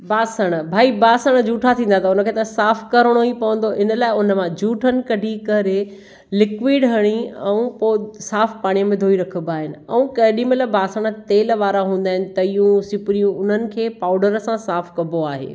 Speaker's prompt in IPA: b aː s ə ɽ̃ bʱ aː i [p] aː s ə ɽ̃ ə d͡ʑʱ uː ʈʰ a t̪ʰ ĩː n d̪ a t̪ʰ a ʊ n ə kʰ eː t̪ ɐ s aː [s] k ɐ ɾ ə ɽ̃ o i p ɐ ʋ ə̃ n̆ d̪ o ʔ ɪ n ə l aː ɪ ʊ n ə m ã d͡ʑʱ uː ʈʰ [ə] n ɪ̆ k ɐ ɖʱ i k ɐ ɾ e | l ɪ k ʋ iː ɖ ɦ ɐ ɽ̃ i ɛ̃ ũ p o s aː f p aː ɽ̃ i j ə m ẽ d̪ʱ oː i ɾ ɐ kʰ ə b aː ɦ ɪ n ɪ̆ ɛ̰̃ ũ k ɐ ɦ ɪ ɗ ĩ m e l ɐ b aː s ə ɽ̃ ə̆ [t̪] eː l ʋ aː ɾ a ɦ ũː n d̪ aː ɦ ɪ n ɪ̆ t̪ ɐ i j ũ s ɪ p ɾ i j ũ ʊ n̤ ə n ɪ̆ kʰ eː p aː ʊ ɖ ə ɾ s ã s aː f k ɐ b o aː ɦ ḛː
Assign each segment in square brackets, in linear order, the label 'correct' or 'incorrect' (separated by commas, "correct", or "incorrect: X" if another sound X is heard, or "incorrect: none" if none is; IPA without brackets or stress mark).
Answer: incorrect: b, incorrect: f, correct, correct